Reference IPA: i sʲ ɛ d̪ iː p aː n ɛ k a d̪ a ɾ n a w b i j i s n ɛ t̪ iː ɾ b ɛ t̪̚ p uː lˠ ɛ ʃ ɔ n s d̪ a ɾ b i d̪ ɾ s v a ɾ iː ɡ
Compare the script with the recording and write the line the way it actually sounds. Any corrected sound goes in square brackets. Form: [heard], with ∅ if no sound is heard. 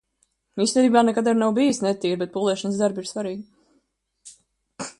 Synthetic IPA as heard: i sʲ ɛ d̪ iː [b] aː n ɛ k a d̪ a ɾ n a w b i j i s n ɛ t̪ iː ɾ b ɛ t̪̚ p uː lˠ ɛ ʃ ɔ n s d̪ a ɾ b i [∅] ɾ s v a ɾ iː ɡ